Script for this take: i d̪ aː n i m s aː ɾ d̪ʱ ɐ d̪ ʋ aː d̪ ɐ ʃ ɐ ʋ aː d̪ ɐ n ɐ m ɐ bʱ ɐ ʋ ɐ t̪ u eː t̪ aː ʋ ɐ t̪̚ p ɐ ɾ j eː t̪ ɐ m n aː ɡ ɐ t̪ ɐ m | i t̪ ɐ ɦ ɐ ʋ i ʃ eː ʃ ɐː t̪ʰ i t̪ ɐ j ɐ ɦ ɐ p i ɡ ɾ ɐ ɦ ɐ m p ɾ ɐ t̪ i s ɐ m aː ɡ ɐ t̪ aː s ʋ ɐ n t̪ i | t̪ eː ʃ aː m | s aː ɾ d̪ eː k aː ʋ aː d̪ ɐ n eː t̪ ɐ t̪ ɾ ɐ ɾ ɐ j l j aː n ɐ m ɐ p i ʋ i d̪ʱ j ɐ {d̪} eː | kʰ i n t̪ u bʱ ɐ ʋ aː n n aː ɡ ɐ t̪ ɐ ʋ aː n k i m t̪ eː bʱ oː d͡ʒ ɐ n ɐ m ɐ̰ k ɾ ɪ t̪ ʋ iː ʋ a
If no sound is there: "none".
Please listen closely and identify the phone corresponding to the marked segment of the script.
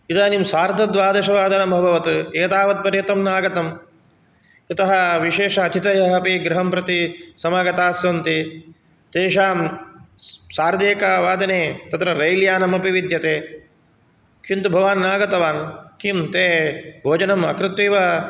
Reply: t̪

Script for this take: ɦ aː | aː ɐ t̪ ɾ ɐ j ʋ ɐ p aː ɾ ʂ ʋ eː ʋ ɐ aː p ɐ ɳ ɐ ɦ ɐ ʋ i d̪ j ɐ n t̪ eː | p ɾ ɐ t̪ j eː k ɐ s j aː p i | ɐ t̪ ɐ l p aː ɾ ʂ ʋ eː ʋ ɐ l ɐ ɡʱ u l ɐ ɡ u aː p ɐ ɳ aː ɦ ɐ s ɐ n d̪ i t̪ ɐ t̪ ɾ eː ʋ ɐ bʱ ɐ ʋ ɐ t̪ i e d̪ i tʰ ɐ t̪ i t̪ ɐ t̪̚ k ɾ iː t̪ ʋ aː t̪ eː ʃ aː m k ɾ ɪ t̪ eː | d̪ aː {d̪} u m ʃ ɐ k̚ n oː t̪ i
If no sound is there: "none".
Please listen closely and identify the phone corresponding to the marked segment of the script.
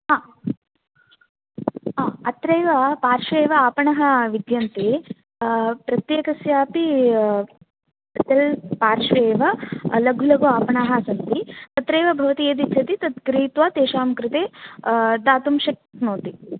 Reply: t̪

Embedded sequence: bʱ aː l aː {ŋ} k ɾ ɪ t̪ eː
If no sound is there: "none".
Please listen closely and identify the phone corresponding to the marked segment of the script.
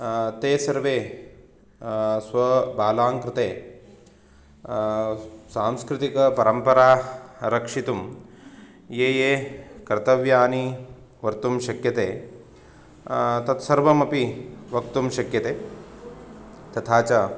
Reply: ŋ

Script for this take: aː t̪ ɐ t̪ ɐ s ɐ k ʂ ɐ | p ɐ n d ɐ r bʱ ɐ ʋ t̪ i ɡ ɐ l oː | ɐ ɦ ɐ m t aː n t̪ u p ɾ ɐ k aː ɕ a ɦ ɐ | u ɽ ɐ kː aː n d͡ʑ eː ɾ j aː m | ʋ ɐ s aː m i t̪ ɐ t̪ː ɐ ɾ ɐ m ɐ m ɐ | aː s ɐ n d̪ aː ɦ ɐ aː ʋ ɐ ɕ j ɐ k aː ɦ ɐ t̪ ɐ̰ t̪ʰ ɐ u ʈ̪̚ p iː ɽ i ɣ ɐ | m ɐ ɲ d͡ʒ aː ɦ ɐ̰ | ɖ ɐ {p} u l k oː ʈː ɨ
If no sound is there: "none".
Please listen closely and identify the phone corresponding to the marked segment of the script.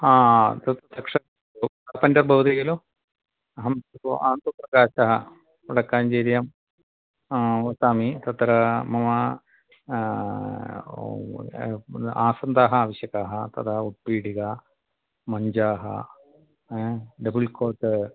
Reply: b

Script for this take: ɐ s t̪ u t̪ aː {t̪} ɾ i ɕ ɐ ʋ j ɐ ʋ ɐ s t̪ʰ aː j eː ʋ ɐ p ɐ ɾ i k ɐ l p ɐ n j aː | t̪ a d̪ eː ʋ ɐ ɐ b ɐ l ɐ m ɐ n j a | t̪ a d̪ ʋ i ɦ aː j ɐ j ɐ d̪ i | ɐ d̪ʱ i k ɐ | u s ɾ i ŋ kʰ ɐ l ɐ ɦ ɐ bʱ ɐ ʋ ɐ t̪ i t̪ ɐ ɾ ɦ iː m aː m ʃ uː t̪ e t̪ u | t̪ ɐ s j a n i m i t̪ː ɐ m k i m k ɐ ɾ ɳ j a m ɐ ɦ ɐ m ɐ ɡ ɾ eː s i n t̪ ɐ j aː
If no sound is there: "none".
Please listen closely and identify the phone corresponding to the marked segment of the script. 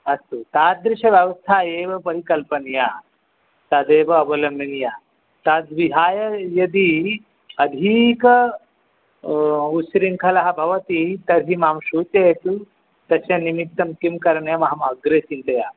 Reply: d̪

